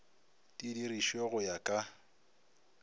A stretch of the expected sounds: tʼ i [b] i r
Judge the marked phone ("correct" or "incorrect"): incorrect